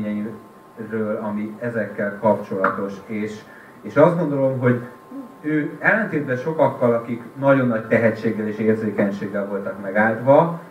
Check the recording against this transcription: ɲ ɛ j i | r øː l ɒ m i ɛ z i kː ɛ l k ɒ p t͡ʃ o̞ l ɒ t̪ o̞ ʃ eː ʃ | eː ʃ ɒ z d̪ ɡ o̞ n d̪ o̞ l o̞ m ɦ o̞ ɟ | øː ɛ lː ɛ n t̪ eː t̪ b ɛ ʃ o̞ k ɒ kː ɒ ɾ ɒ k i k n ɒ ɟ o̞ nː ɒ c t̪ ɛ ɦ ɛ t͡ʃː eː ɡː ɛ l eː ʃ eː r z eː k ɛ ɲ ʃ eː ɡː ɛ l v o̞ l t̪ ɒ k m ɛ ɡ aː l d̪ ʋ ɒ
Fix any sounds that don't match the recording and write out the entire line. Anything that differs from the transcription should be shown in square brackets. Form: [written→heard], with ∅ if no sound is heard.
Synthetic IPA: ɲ ɛ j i | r øː l ɒ m i ɛ z [i→ɛ] kː ɛ l k ɒ p t͡ʃ o̞ l ɒ t̪ o̞ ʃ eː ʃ | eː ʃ ɒ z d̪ ɡ o̞ n d̪ o̞ l o̞ m ɦ o̞ ɟ | øː ɛ lː ɛ n t̪ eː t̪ b ɛ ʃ o̞ k ɒ kː ɒ [ɾ→l] ɒ k i k n ɒ ɟ o̞ nː ɒ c t̪ ɛ ɦ ɛ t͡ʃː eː ɡː ɛ l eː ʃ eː r z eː k ɛ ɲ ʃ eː ɡː ɛ l v o̞ l t̪ ɒ k m ɛ ɡ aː l d̪ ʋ ɒ